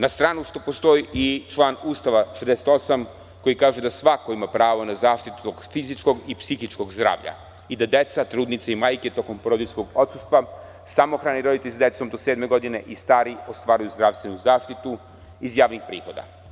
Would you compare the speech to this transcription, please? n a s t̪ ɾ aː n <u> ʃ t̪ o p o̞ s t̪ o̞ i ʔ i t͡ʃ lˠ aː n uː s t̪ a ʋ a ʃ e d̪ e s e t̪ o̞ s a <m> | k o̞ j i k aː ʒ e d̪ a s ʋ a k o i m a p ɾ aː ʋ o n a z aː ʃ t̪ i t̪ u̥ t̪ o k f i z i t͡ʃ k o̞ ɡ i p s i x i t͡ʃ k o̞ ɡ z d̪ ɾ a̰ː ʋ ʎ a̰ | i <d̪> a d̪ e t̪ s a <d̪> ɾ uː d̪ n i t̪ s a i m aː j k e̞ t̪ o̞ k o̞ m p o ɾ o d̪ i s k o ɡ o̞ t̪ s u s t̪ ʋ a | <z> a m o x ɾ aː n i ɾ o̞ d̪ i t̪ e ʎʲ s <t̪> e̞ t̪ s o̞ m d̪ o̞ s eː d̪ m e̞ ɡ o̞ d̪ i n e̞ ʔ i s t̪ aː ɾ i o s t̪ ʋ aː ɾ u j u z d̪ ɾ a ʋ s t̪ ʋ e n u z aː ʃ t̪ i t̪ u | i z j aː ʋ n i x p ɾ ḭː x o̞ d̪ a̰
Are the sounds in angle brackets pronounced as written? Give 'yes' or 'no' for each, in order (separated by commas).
yes, yes, yes, no, no, no